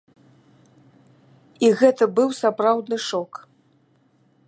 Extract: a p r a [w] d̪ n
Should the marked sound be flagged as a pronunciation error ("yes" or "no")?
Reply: no